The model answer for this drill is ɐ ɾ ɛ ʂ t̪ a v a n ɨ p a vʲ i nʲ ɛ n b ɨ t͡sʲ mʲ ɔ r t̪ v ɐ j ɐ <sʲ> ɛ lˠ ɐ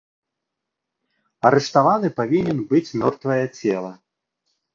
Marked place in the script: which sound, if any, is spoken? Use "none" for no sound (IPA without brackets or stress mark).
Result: t͡sʲ